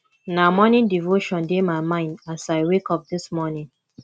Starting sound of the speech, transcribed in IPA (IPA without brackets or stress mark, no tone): n